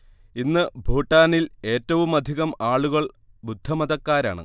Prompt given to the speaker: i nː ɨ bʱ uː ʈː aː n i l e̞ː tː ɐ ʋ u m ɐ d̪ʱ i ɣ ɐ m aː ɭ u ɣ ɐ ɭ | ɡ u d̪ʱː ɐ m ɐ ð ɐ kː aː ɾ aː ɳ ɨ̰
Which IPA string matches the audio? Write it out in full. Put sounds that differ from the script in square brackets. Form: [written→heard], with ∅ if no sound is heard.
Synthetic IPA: i nː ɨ bʱ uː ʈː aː n i l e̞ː tː ɐ ʋ u m ɐ d̪ʱ i ɣ ɐ m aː ɭ u ɣ ɐ ɭ | [ɡ→b] u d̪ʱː ɐ m ɐ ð ɐ kː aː ɾ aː ɳ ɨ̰